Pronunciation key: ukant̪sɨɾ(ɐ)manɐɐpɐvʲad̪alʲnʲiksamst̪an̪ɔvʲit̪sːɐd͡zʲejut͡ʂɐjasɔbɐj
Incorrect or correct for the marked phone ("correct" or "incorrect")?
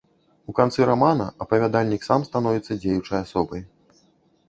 incorrect